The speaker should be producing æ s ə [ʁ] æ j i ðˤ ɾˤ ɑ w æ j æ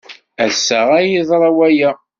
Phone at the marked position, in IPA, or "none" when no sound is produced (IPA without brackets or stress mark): ʁ